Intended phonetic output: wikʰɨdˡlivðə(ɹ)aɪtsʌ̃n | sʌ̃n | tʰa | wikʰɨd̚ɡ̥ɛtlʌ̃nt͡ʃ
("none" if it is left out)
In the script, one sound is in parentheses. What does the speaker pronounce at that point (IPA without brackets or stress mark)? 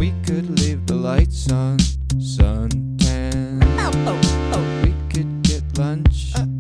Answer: l